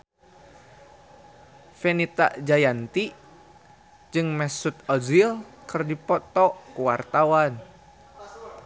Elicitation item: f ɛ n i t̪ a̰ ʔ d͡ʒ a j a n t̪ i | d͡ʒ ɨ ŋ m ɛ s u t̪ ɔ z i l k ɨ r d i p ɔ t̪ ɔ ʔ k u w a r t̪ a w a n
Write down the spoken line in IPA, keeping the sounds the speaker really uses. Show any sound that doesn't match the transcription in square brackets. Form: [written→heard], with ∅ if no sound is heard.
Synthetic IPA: f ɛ n i t̪ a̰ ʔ d͡ʒ a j a n t̪ i | d͡ʒ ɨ ŋ m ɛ s u t̪ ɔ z i l k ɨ r d i p ɔ t̪ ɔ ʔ k u w a r t̪ a w a n